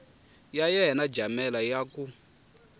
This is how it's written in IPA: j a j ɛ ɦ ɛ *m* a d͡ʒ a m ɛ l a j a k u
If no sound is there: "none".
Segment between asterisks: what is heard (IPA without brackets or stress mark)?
n